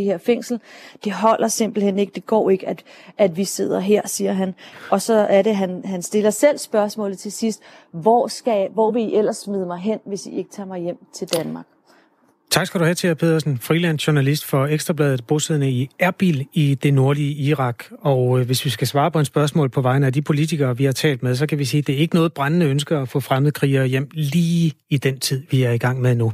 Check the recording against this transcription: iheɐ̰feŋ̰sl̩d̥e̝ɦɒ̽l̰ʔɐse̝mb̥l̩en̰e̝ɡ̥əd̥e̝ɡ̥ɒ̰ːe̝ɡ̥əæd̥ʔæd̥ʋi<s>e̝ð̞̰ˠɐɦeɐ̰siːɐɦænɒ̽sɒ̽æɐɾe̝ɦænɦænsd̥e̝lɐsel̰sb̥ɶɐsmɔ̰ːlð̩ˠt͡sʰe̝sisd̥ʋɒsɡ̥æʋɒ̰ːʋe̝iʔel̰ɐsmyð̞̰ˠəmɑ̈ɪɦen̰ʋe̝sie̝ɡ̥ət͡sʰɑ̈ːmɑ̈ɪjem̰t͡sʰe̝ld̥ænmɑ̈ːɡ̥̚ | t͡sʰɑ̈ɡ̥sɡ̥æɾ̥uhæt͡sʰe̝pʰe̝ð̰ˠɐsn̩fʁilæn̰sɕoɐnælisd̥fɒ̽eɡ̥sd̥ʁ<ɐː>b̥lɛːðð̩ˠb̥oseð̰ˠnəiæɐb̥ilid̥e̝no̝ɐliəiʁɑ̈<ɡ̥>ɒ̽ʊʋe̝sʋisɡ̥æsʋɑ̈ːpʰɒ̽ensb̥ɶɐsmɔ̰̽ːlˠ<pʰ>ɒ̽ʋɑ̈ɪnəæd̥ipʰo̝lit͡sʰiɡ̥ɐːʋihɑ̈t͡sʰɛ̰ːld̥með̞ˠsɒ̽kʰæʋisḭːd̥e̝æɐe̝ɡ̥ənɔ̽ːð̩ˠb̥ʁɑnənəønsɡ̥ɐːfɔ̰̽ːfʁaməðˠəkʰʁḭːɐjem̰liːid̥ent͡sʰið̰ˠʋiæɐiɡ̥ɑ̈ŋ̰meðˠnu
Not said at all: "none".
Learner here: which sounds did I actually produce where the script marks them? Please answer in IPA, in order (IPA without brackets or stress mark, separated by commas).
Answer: s, ɐ, ɡ̥, pʰ